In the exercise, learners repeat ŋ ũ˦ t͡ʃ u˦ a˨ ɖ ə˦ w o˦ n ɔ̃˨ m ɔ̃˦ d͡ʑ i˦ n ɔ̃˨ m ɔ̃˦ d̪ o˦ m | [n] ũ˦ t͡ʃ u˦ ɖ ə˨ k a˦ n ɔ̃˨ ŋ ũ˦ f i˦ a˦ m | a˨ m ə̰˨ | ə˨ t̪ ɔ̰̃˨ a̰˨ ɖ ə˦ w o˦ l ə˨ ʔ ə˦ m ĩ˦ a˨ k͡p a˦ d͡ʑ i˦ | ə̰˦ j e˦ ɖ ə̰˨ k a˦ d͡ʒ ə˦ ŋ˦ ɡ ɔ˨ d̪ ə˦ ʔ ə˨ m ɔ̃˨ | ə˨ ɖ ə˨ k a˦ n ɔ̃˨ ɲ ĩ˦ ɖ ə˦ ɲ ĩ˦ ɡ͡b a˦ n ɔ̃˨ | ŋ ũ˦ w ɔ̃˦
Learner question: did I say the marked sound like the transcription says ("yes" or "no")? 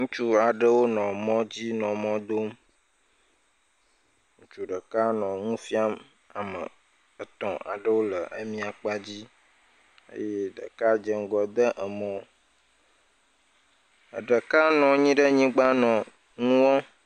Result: no